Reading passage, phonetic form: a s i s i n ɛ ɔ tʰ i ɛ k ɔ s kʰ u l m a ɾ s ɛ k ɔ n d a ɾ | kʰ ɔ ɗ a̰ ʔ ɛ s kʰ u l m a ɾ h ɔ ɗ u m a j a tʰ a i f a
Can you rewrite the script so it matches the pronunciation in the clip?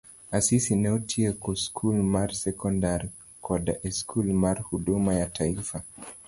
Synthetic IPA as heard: a s i s i n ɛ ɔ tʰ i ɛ k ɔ s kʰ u l m a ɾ s ɛ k ɔ n d a ɾ | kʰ ɔ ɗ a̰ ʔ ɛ s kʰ u l m a ɾ h u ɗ u m a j a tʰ a i f a